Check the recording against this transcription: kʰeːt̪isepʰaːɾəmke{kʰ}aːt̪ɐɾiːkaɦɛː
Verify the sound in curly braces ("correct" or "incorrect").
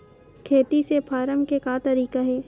incorrect